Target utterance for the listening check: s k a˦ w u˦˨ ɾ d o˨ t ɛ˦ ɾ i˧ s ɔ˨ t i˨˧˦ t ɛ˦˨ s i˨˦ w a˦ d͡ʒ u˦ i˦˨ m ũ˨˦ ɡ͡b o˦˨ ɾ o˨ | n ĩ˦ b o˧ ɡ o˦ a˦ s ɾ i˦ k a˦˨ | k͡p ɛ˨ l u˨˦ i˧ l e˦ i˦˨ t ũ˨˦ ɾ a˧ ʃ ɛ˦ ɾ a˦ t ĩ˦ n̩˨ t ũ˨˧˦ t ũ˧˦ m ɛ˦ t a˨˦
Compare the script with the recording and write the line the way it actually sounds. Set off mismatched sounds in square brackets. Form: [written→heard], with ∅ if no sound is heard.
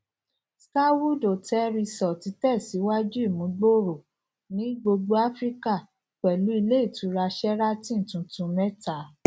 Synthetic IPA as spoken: s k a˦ w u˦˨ [ɾ→∅] d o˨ t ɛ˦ ɾ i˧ s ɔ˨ t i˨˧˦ t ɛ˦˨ s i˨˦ w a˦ d͡ʒ u˦ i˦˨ m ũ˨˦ ɡ͡b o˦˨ ɾ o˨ | n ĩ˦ [b→ɡ͡b] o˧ [ɡ→ɡ͡b] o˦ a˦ [s→f] ɾ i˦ k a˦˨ | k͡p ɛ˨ l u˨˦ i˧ l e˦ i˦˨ t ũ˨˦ ɾ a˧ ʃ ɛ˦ ɾ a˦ t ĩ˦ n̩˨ t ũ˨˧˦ t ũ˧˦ m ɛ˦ t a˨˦